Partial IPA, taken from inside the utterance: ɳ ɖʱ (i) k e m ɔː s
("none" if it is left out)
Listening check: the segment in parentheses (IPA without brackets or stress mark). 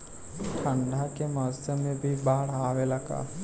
a